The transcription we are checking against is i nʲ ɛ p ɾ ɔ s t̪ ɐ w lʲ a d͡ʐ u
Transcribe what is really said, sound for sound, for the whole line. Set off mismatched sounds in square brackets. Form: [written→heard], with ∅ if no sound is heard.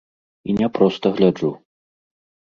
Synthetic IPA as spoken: i nʲ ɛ p ɾ ɔ s t̪ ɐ [w→ɣ] lʲ a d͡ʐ u